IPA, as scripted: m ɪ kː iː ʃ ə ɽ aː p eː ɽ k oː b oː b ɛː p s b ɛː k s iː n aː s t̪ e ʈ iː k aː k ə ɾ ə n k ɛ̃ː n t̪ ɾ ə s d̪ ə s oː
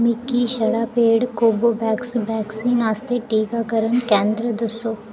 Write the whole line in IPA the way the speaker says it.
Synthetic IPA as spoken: m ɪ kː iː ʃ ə ɽ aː p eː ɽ k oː b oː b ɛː k s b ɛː k s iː n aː s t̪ e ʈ iː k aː k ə ɾ ə n k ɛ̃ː n d̪ ɾ ə d̪ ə s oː